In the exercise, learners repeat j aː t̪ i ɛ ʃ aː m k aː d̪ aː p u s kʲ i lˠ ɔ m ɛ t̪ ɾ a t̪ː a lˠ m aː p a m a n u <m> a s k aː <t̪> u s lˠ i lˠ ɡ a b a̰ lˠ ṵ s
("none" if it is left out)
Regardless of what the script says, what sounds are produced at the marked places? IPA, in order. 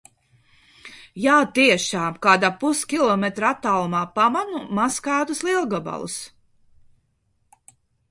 m, t̪

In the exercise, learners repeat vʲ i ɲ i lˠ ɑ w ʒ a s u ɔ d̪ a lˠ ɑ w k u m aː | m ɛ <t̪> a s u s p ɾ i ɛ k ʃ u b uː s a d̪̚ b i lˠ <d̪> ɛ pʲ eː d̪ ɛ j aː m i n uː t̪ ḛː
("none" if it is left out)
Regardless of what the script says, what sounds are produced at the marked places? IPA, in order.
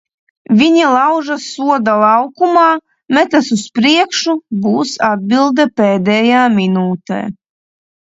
t̪, d̪

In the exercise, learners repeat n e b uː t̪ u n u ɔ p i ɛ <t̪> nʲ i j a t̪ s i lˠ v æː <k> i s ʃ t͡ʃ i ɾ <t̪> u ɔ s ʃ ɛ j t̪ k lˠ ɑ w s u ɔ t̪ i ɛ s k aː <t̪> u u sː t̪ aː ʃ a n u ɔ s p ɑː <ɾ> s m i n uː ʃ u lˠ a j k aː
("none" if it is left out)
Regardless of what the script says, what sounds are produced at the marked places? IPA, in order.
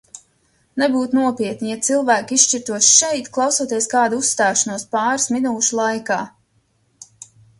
t̪, k, t̪, d̪, ɾ

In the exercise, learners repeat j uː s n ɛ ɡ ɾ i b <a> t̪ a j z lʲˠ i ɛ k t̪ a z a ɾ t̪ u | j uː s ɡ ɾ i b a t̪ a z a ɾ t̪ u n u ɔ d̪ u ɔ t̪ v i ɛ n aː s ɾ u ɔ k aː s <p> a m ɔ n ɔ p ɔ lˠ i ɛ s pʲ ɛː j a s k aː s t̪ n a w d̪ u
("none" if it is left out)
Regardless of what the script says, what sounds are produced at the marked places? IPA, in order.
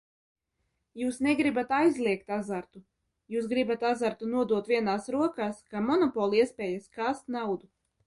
a, k

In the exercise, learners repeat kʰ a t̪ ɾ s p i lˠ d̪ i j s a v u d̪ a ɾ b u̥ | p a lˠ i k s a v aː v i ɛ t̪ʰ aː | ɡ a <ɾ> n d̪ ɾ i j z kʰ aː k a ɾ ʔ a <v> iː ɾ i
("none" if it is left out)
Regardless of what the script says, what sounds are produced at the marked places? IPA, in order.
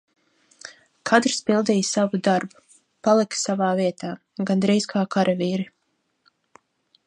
none, v

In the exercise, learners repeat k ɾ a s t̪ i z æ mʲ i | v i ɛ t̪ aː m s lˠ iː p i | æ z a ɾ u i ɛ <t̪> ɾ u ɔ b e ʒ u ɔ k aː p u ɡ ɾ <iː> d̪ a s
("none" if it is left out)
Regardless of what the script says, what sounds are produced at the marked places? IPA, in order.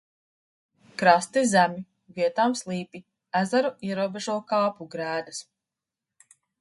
none, æː

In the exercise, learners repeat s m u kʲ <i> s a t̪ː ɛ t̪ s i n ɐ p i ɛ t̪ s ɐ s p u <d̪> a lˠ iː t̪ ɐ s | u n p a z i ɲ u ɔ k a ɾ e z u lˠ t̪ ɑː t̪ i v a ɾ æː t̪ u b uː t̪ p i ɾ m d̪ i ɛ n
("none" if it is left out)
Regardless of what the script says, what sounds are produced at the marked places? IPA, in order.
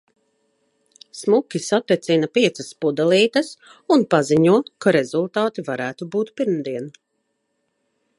i, d̪

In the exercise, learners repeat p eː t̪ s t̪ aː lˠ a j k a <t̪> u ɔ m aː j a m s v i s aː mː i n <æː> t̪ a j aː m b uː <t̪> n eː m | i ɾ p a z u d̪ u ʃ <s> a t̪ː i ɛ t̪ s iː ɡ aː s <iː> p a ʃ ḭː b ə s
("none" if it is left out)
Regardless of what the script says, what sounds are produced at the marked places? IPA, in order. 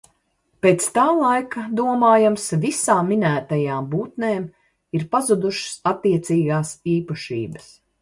d̪, æː, t̪, s, iː

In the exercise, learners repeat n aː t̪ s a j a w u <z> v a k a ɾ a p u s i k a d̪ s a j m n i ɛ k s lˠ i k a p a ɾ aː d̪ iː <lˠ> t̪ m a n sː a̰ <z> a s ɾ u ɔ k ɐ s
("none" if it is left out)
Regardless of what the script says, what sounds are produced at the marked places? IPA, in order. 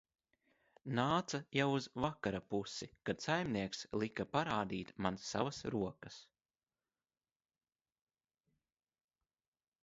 z, none, v

